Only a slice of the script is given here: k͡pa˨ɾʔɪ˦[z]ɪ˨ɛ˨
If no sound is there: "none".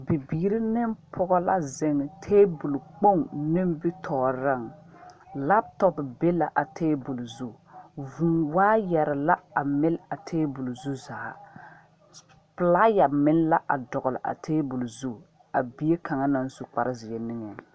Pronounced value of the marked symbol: z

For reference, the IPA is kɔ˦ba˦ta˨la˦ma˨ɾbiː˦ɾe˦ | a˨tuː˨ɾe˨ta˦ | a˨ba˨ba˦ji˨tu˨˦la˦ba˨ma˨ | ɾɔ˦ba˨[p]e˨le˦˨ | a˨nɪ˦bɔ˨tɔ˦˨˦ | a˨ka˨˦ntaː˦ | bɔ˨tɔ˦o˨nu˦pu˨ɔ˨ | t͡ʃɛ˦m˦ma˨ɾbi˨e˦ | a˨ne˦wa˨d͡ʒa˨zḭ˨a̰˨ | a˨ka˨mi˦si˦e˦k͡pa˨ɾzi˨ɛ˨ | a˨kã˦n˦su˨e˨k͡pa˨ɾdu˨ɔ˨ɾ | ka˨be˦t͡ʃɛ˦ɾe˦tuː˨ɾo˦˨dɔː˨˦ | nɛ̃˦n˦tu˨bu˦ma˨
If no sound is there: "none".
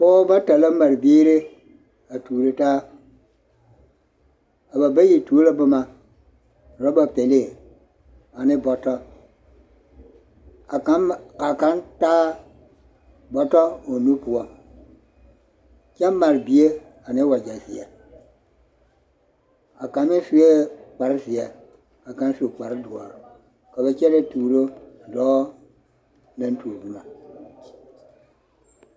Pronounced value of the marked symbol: p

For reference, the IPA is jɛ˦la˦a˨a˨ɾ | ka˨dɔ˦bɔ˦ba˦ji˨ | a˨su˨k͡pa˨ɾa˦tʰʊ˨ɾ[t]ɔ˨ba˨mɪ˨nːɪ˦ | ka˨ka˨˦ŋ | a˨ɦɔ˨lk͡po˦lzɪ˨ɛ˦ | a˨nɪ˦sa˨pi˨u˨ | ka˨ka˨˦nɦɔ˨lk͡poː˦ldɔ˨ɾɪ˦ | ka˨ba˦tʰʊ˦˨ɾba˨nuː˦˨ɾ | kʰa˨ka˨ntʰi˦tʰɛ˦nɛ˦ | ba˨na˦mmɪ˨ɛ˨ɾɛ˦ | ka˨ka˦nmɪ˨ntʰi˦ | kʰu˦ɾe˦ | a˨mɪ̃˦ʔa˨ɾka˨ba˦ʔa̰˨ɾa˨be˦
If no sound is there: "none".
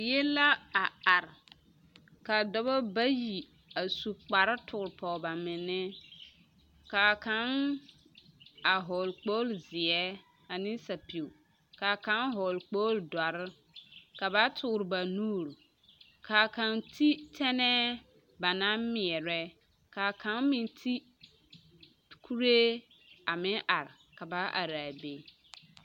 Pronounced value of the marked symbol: p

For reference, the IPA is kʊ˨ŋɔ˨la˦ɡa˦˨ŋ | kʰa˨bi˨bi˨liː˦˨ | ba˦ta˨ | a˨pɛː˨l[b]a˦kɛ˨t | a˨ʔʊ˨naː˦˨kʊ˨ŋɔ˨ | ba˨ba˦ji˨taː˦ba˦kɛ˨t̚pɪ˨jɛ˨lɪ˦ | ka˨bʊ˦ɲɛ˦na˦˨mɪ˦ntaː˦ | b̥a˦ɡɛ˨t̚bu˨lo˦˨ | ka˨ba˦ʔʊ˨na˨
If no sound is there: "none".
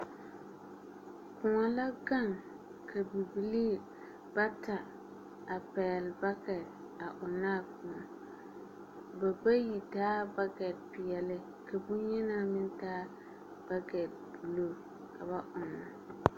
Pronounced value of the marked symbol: b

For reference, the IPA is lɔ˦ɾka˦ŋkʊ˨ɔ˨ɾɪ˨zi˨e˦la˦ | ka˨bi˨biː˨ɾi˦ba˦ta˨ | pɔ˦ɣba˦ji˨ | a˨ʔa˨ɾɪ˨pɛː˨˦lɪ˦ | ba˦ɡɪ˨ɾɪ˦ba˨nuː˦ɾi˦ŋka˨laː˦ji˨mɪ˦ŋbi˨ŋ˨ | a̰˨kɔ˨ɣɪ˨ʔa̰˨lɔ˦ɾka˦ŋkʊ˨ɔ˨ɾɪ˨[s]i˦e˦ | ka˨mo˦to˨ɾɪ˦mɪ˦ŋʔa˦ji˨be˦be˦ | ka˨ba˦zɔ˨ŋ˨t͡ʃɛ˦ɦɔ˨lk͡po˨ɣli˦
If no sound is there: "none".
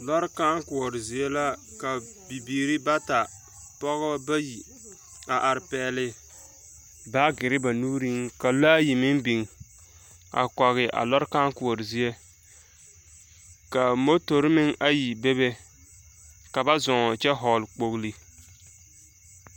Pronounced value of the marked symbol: z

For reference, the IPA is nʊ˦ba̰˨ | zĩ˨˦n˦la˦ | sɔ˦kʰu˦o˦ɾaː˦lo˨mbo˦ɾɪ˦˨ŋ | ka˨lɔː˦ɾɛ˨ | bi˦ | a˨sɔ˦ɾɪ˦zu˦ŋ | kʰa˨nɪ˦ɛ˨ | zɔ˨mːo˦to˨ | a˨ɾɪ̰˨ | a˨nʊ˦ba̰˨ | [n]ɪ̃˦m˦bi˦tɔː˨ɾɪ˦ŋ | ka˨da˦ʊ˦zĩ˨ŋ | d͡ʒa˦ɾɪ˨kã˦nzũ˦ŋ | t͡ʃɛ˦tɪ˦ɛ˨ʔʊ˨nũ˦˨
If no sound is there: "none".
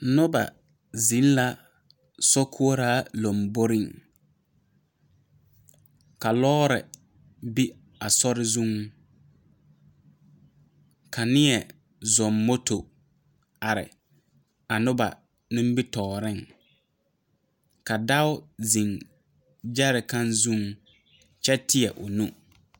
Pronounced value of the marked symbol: n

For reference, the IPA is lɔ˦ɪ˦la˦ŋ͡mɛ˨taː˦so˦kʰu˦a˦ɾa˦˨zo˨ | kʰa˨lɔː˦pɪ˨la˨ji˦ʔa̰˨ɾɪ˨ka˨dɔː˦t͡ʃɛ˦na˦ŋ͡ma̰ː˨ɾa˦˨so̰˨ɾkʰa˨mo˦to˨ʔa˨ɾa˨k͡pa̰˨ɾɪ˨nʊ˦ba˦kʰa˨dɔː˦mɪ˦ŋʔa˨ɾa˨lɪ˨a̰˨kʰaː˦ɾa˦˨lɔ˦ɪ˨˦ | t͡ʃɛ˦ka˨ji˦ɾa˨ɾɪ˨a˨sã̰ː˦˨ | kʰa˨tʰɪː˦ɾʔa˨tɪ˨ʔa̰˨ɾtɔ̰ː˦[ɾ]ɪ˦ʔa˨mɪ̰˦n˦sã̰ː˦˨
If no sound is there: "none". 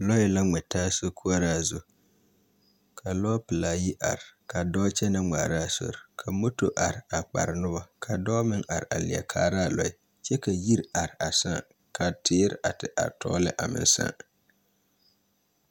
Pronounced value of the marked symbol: l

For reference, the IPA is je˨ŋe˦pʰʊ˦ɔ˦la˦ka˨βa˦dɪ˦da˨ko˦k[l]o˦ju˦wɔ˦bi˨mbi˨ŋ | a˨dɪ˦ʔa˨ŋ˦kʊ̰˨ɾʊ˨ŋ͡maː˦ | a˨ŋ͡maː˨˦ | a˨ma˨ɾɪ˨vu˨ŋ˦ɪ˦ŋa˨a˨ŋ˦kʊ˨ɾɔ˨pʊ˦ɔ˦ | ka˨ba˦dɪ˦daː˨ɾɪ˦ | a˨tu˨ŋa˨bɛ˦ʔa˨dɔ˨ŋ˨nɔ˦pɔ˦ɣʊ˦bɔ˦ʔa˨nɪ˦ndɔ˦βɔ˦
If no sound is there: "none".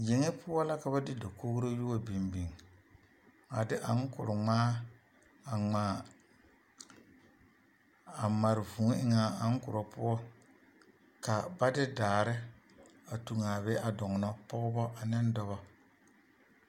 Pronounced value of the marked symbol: ɾ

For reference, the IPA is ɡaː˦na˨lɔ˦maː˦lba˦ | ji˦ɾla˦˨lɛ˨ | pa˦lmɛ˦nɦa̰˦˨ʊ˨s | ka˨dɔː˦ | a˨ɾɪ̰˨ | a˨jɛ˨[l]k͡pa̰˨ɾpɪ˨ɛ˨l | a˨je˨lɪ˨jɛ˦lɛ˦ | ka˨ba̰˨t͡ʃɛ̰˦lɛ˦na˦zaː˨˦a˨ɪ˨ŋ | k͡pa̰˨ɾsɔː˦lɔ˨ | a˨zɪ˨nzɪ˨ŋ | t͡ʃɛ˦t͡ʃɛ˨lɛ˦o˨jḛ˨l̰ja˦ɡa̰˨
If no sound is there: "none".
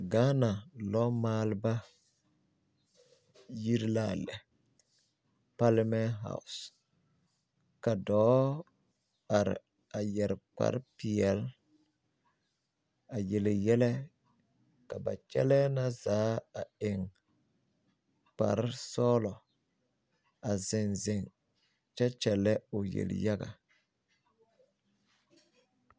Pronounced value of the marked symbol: ɾ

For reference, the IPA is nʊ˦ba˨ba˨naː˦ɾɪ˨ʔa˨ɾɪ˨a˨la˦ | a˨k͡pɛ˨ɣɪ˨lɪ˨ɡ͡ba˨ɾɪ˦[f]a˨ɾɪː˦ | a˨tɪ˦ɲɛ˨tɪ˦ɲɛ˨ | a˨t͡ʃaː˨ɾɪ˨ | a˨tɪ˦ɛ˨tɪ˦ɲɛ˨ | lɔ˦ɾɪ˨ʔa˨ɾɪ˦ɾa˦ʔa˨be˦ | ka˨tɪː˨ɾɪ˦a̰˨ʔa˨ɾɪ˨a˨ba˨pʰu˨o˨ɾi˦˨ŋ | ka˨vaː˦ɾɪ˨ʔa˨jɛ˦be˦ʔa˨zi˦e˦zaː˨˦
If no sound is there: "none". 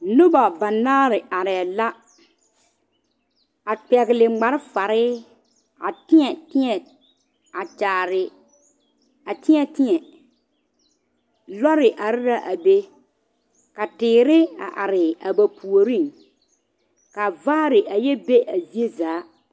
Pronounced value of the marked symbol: f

